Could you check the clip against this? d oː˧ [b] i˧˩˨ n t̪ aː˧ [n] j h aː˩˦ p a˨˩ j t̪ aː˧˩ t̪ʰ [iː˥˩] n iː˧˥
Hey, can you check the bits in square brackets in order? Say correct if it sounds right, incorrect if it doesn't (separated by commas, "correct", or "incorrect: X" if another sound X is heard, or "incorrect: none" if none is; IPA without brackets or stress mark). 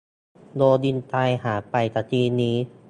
incorrect: d, incorrect: none, incorrect: iː˧